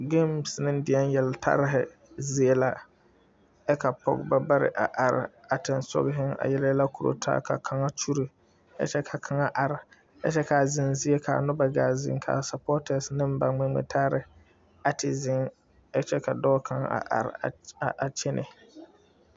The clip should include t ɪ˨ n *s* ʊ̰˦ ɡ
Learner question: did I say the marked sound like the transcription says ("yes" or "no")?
yes